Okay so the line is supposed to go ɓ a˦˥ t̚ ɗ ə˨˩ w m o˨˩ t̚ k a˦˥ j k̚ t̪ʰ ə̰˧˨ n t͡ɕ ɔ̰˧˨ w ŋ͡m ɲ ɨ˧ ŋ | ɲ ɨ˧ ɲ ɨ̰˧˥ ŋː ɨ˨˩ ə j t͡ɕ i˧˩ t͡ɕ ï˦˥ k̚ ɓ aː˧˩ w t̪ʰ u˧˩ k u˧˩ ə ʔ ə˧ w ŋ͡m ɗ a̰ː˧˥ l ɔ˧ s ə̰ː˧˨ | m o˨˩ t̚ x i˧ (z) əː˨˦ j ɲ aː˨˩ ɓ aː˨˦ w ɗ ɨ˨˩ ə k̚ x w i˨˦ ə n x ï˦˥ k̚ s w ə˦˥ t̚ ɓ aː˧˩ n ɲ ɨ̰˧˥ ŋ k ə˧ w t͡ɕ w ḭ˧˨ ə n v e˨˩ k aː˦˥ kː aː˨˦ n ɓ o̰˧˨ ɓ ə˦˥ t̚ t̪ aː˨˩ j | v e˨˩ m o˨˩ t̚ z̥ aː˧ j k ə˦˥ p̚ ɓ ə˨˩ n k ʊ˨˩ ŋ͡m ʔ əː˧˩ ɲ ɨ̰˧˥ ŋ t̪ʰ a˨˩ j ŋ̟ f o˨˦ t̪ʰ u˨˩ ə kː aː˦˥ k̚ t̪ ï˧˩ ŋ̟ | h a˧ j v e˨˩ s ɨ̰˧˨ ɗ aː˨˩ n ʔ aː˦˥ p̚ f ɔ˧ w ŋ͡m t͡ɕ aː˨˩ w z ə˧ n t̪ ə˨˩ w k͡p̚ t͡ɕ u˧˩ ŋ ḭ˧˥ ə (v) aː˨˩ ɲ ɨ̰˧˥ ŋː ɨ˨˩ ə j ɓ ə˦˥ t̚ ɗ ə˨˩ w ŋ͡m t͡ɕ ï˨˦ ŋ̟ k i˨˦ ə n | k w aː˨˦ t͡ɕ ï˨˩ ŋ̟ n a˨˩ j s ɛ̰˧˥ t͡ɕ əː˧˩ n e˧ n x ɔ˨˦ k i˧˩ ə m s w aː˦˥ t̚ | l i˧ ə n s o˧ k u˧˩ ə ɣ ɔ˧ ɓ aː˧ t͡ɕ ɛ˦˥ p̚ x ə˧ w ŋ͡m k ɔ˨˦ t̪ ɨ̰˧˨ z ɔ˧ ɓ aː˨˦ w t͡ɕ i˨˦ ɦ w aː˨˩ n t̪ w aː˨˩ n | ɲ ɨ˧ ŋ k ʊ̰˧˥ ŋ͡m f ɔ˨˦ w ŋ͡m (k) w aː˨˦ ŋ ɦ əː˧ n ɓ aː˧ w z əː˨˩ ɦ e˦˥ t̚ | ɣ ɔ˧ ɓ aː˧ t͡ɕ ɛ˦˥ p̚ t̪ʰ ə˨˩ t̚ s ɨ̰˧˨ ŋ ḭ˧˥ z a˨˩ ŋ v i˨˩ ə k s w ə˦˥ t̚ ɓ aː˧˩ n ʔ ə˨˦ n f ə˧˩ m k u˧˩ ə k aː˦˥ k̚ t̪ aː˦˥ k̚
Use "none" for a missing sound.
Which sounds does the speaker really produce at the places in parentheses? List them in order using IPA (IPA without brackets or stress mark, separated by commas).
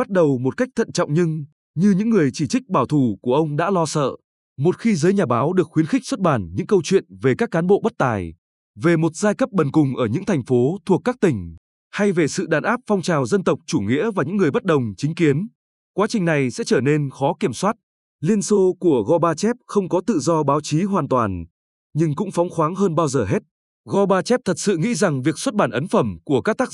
z, v, x